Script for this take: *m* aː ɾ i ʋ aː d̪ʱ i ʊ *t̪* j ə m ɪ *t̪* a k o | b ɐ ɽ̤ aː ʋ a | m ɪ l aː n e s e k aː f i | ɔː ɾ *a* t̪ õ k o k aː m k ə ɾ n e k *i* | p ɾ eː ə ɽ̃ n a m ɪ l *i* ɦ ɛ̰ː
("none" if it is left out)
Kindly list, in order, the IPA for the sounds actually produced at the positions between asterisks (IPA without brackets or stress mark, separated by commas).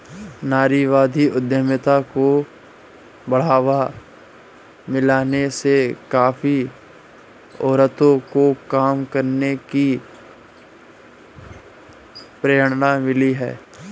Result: n, d̪, t̪, ə, i, i